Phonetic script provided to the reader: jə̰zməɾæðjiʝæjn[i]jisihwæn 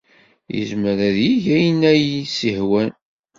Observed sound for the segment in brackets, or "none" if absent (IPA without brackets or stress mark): æ